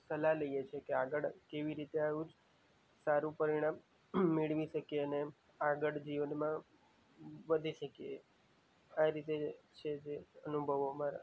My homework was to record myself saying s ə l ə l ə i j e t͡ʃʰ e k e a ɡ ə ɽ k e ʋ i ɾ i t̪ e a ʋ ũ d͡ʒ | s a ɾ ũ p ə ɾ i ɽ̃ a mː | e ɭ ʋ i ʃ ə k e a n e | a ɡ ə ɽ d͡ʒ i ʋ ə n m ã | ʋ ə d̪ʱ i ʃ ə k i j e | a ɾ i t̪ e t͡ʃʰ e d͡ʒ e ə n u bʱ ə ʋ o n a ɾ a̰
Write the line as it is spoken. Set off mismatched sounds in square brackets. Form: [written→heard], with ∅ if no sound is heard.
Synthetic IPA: s ə l [ə→a] l ə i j e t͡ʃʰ e k e a ɡ ə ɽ k e ʋ i ɾ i t̪ e a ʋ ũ d͡ʒ | s a ɾ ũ p ə ɾ i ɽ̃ a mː | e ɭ ʋ i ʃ ə k e [a→ə] n e | a ɡ ə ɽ d͡ʒ i ʋ ə n m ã | ʋ ə d̪ʱ i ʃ ə k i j e | a ɾ i t̪ e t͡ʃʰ e d͡ʒ e ə n u bʱ ə ʋ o [n→m] a ɾ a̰

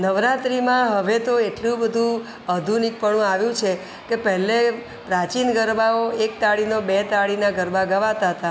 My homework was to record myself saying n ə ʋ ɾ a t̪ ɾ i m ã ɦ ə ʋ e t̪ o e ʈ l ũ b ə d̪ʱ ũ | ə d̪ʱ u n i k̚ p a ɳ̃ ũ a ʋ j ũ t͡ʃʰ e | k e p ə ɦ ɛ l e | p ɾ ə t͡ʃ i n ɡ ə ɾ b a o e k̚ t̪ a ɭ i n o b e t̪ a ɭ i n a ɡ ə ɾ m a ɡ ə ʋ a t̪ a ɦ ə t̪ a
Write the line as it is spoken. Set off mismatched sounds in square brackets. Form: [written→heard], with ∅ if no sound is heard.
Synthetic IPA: n ə ʋ ɾ a t̪ ɾ i m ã ɦ ə ʋ e t̪ o e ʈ l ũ b ə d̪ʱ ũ | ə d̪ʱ u n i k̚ p [a→ə] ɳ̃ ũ a ʋ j ũ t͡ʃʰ e | k e p ə ɦ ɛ l e | p ɾ [ə→a] t͡ʃ i n ɡ ə ɾ b a o e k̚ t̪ a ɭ i n o b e t̪ a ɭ i n a ɡ ə ɾ [m→b] a ɡ ə ʋ a t̪ a ɦ ə t̪ a

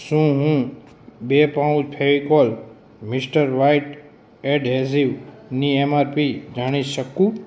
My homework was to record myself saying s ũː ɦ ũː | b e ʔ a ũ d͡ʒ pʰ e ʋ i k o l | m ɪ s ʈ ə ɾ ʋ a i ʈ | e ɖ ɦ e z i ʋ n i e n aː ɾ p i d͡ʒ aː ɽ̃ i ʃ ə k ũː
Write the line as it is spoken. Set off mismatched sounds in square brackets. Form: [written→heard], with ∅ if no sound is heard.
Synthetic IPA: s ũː ɦ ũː | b e [ʔ→p] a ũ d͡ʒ pʰ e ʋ i k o l | m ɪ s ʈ ə ɾ ʋ a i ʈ | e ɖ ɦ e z i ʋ n i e [n→m] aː ɾ p i d͡ʒ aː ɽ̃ i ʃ ə k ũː

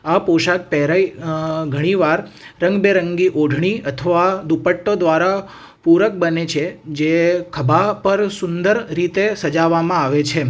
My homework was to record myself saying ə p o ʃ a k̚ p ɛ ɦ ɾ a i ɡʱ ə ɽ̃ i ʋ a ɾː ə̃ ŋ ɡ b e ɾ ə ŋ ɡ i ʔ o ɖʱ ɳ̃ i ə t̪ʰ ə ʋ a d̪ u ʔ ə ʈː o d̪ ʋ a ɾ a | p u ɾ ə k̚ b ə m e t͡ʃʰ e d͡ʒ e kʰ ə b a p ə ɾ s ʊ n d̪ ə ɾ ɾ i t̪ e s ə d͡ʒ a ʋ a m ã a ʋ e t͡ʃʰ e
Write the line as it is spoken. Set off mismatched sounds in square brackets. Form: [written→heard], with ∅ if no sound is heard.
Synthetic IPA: [ə→a] p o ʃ a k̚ p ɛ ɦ ɾ a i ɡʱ ə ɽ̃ i ʋ a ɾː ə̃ ŋ ɡ b e ɾ ə ŋ ɡ i ʔ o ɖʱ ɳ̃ i ə t̪ʰ ə ʋ a d̪ u [ʔ→p] ə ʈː o d̪ ʋ a ɾ a | p u ɾ ə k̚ b ə [m→n] e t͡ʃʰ e d͡ʒ e kʰ ə b a p ə ɾ s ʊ n d̪ ə ɾ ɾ i t̪ e s ə d͡ʒ a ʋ a m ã a ʋ e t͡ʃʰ e

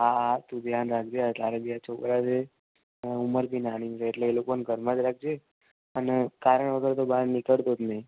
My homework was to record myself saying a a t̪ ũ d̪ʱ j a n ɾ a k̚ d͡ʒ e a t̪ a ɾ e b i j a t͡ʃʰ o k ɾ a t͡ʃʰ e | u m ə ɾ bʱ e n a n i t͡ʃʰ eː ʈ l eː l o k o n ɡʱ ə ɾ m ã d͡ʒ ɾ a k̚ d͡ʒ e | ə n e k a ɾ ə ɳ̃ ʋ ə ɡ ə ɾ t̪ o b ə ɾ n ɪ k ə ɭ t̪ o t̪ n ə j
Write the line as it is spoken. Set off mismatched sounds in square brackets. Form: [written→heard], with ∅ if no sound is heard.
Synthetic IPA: a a t̪ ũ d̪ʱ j a n ɾ a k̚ d͡ʒ e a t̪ a ɾ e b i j a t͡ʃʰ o k ɾ a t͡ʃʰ e | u m ə ɾ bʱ [e→i] n a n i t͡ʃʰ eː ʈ l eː l o k o n ɡʱ ə ɾ m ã d͡ʒ ɾ a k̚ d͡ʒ e | ə n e k a ɾ ə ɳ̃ ʋ ə ɡ ə ɾ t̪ o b [ə→a] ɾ n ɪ k ə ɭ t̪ o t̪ n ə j

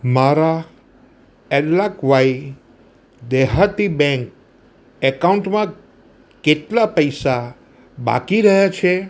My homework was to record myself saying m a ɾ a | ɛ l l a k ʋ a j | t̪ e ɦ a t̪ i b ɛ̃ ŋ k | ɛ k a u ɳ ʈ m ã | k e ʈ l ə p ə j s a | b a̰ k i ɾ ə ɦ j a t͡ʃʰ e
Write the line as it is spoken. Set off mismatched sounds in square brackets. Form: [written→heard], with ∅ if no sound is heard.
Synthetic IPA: m a ɾ a | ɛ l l a k ʋ a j | [t̪→d̪] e ɦ a t̪ i b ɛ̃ ŋ k | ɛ k a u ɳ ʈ m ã | k e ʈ l [ə→a] p ə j s a | b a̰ k i ɾ ə ɦ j a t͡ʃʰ e

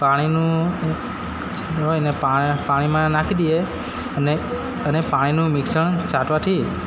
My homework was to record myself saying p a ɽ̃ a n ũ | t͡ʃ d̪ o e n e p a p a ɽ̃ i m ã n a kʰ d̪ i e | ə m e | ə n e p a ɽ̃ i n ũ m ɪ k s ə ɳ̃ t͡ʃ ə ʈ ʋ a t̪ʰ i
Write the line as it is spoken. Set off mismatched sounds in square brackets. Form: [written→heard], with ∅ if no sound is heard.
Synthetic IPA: p a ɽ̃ [a→i] n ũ | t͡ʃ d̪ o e n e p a p a ɽ̃ i m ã n a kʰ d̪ i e | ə [m→n] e | ə n e p a ɽ̃ i n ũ m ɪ k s ə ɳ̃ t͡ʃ [ə→a] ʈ ʋ a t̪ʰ i

